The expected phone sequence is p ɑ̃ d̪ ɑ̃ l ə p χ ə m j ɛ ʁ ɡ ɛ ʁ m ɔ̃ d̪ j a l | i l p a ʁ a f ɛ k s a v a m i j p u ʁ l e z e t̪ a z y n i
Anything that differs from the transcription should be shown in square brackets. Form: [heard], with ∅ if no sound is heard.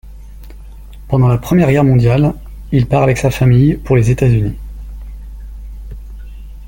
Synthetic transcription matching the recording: p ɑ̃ d̪ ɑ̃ l [a] p χ ə m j ɛ ʁ ɡ ɛ ʁ m ɔ̃ d̪ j a l | i l p a ʁ a [v] ɛ k s a [f] a m i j p u ʁ l e z e t̪ a z y n i